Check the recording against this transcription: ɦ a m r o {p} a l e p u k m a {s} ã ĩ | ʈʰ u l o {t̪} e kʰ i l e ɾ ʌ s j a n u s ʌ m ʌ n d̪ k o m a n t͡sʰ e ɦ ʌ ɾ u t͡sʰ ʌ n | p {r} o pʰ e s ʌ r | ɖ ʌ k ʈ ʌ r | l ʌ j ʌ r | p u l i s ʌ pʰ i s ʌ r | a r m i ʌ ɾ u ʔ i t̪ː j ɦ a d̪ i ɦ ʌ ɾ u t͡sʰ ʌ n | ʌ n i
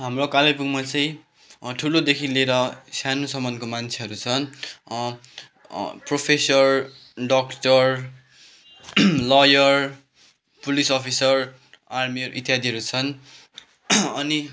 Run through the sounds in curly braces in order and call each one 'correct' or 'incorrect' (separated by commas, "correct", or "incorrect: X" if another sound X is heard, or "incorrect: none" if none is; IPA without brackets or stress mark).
incorrect: k, incorrect: t͡s, incorrect: d̪, correct